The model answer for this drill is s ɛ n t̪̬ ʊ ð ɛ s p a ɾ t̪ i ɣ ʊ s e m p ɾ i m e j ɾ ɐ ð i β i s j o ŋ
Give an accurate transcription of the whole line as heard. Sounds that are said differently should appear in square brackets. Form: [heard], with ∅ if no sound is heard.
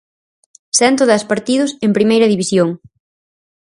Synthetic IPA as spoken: s ɛ n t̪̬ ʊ ð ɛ s p a ɾ t̪ i [ð] ʊ s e m p ɾ i m e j ɾ ɐ ð i β i s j o ŋ